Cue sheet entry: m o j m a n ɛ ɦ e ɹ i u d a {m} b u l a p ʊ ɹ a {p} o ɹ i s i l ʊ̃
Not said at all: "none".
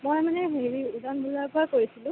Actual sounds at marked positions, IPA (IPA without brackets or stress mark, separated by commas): n, k